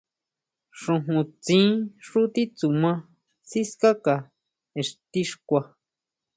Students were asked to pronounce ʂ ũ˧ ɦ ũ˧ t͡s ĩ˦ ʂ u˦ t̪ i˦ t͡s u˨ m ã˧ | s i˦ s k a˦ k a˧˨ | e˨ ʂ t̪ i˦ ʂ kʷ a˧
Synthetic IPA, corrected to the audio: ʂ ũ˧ ɦ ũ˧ t͡s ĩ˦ ʂ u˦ t̪ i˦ t͡s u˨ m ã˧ | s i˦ s k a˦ k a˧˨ | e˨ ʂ t̪ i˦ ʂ kʷ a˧